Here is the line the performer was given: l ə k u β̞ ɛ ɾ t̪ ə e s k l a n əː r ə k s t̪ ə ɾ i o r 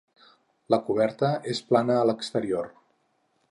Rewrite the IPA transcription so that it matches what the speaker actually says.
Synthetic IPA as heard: l ə k u β̞ ɛ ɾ t̪ ə e s p l a n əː l ə k s t̪ ə ɾ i o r